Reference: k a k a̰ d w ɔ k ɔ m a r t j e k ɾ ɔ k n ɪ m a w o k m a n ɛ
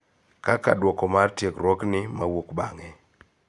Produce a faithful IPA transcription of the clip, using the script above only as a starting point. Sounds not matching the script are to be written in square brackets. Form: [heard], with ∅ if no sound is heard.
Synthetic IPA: k a k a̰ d w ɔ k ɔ m a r t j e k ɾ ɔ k n ɪ m a w o k [b] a [ŋ] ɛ